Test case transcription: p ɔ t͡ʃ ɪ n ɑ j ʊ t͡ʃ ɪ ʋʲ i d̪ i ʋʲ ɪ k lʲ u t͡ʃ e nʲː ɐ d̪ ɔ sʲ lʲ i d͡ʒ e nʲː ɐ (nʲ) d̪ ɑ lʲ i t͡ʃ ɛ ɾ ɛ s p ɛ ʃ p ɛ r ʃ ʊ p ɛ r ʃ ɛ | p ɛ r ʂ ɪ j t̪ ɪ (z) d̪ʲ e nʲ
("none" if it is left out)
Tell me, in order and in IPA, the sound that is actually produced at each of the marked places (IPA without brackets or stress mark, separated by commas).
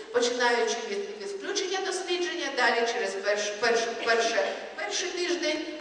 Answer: none, ʒ